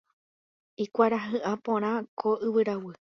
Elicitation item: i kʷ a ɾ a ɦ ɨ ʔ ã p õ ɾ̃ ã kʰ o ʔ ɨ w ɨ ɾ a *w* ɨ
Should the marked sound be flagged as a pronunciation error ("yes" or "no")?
no